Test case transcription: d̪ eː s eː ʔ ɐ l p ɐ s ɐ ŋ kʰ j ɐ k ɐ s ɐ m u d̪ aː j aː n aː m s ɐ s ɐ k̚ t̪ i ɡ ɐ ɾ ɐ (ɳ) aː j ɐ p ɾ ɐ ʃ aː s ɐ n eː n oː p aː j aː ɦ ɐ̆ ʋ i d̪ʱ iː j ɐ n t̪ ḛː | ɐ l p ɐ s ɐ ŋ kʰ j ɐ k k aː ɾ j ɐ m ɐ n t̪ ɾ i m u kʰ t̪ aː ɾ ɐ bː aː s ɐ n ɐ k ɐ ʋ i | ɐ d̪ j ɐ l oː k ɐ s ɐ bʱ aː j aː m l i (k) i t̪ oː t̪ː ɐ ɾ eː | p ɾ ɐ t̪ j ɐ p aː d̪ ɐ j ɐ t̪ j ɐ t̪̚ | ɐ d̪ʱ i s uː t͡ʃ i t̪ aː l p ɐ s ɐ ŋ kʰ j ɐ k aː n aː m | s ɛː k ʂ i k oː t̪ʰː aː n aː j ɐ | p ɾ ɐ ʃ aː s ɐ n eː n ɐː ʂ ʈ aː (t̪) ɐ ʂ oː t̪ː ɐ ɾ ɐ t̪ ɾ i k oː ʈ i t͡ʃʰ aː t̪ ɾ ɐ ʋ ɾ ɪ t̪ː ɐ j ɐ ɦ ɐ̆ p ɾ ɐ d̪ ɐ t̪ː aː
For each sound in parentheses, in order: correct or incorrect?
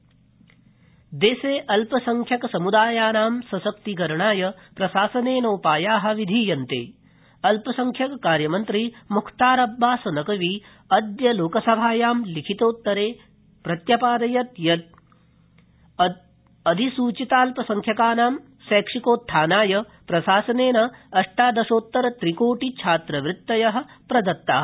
correct, incorrect: kʰ, incorrect: d̪

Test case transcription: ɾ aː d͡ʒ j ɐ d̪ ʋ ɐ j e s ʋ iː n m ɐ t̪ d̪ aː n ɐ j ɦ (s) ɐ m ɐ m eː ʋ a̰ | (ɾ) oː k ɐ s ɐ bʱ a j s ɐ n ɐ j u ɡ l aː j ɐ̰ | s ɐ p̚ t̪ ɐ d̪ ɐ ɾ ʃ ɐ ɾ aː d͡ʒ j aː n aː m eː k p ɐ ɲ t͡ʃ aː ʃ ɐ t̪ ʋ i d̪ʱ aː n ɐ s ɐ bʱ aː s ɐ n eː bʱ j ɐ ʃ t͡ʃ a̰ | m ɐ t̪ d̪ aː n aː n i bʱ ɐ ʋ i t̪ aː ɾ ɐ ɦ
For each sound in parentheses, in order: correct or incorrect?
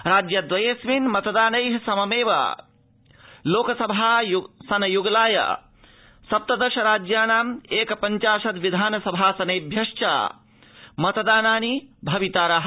correct, incorrect: l

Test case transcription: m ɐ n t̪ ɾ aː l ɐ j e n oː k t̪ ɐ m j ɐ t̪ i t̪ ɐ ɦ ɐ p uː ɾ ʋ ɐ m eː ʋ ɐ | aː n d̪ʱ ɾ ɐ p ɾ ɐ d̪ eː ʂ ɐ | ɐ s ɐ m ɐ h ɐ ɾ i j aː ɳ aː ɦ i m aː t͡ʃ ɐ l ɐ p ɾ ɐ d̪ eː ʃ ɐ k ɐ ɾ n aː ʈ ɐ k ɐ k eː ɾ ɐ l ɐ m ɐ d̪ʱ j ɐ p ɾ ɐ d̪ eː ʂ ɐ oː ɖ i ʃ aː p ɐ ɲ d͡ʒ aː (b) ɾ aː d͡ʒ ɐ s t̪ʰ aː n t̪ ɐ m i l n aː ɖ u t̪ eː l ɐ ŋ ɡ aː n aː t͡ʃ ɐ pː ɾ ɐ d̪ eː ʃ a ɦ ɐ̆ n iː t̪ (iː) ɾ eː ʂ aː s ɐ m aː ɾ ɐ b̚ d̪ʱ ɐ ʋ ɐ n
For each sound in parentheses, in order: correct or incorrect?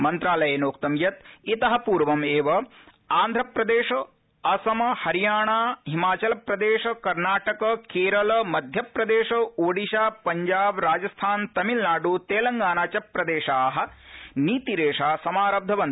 correct, incorrect: i

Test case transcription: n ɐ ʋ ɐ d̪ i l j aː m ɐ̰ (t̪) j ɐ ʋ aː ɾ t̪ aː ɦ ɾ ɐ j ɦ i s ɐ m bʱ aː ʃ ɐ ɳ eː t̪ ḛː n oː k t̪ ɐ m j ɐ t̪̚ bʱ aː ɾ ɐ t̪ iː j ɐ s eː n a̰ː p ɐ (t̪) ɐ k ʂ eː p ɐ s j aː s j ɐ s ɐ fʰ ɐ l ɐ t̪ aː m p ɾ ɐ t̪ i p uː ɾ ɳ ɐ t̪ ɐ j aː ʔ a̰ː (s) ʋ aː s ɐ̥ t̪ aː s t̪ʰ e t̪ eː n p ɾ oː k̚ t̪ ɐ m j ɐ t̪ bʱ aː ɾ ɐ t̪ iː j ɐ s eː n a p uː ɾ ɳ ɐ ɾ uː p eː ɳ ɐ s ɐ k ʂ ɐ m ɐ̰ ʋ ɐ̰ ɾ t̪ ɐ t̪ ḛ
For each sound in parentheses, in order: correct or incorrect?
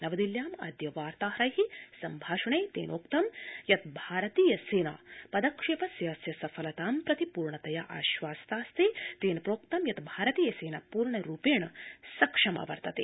incorrect: d̪, incorrect: d̪, incorrect: ʃ

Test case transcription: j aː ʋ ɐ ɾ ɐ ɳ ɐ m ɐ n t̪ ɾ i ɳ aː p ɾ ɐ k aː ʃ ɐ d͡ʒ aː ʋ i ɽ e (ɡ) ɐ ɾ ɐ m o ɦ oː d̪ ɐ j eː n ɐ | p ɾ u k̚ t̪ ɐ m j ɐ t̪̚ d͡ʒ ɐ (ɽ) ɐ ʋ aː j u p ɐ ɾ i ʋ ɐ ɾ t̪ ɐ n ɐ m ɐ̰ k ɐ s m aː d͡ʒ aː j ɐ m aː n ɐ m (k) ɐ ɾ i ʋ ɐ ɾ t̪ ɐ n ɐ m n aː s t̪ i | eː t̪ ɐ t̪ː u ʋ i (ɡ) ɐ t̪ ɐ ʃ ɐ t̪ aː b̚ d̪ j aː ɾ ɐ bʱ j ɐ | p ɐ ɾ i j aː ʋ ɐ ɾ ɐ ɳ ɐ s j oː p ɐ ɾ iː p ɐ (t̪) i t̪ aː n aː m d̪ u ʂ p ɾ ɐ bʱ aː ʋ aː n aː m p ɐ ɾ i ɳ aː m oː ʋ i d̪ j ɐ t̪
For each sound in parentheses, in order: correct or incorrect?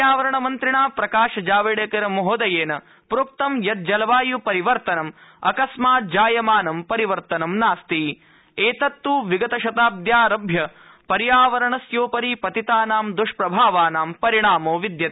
incorrect: k, incorrect: l, incorrect: p, correct, correct

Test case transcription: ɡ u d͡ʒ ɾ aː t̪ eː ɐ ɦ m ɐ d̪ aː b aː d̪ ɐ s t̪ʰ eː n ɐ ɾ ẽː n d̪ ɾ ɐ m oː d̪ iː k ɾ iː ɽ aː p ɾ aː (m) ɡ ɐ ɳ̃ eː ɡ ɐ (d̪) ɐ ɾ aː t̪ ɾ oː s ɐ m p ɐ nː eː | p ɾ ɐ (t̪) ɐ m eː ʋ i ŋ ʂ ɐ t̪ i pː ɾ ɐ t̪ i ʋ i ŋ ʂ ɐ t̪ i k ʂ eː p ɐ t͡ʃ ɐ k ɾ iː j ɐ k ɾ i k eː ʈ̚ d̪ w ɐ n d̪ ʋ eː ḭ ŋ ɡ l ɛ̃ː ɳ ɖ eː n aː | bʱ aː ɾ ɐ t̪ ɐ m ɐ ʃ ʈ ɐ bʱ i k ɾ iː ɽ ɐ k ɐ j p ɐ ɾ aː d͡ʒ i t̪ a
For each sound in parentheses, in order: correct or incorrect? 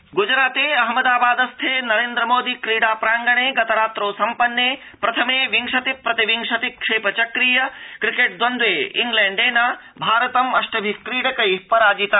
incorrect: ŋ, incorrect: t̪, incorrect: t̪ʰ

